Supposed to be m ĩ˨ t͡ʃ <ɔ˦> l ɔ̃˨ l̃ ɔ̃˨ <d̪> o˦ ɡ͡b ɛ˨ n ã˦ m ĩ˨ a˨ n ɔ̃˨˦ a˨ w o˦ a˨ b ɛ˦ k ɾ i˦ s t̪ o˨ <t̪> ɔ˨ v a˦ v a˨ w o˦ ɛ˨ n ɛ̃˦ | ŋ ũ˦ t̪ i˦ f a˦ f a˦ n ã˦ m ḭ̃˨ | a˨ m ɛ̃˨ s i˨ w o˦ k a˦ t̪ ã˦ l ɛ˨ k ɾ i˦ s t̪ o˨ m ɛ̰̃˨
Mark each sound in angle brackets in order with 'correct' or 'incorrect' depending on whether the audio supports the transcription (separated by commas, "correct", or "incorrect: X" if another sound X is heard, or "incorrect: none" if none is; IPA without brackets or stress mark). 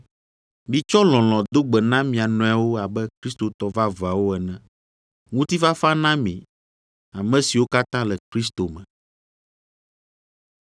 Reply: correct, correct, correct